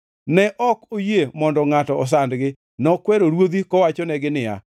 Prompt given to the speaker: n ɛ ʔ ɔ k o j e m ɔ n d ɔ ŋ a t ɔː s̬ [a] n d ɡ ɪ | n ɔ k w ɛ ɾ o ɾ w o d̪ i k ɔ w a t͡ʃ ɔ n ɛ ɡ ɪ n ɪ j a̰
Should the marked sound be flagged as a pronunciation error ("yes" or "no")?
no